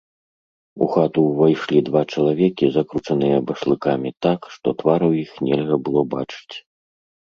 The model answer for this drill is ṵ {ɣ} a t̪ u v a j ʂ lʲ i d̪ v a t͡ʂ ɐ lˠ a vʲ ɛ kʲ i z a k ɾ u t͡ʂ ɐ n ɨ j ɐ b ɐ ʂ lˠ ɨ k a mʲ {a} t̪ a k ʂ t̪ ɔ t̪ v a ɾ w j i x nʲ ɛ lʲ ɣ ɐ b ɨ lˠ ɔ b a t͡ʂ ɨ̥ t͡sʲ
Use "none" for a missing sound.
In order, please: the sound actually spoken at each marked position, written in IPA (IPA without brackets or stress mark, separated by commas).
x, i